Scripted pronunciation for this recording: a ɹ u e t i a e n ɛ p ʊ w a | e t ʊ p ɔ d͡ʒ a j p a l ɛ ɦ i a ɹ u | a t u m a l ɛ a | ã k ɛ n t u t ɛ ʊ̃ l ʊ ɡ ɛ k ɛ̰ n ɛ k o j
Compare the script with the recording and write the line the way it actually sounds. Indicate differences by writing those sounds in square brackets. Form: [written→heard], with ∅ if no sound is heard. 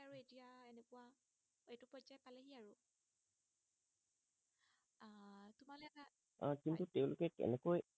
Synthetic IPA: a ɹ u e t i a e n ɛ [p→k] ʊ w a | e t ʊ p ɔ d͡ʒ a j p a l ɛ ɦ i a ɹ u | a t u m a l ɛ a | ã k [ɛ→i] n t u t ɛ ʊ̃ l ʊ [ɡ→k] ɛ k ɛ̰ n ɛ k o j